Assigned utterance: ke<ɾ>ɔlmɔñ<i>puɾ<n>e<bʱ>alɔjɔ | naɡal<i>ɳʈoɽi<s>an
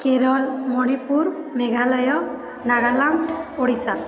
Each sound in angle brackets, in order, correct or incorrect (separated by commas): correct, correct, incorrect, incorrect, incorrect, correct